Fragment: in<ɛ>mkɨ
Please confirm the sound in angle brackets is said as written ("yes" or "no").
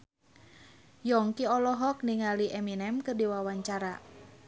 yes